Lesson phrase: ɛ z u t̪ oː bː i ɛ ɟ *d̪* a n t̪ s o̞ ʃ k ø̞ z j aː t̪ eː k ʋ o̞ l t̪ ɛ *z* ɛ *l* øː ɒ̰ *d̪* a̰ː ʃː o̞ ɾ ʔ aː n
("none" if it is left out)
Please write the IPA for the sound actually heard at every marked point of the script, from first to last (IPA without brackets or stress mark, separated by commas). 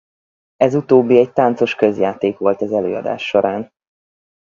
t̪, z, l, d̪